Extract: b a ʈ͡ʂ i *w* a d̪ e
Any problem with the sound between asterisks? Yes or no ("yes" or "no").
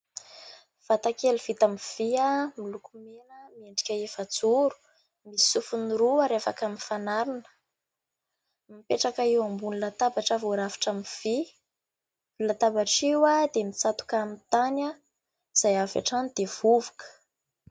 no